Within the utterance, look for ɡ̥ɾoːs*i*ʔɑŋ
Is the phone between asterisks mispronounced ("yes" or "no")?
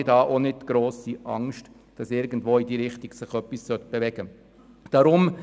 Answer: no